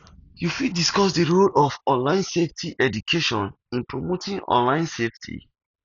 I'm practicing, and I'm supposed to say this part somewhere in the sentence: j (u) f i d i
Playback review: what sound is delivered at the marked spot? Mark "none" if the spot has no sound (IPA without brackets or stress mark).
u